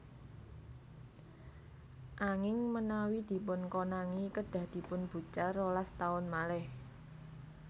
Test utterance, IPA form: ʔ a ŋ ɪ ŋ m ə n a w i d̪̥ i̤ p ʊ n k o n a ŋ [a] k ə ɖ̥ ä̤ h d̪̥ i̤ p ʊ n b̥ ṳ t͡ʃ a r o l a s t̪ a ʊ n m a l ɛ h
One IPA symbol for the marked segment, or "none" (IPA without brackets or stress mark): i